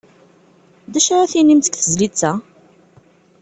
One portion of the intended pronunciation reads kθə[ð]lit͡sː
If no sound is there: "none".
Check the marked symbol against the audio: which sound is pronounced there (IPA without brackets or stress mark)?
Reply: z